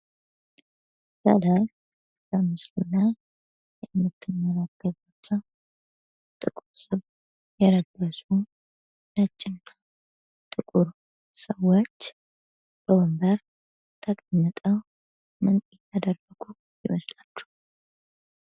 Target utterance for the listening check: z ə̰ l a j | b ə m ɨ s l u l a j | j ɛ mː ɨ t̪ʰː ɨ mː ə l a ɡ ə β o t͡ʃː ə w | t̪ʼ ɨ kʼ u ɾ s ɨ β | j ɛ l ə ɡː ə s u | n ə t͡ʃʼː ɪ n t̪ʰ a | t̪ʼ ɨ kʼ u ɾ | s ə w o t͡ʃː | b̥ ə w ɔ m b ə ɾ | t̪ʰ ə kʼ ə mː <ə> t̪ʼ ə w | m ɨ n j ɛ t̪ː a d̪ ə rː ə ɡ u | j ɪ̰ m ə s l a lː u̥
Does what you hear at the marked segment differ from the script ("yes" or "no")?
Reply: no